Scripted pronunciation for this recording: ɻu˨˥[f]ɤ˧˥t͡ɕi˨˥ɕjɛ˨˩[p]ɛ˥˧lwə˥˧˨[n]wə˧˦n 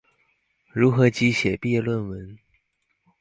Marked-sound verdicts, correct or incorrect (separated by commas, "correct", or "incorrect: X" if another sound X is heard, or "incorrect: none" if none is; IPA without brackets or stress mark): incorrect: x, correct, correct